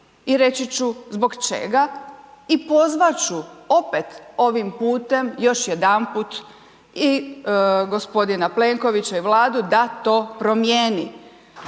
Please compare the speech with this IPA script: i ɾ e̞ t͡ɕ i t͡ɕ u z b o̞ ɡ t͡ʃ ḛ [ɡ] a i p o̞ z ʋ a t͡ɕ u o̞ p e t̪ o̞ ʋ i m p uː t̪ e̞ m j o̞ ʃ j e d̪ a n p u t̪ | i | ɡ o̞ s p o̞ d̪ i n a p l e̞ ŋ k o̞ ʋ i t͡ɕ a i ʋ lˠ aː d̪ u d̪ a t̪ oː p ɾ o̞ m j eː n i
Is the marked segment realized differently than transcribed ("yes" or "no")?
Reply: no